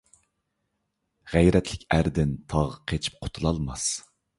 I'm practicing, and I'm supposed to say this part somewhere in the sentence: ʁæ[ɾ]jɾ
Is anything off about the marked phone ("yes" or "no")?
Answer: yes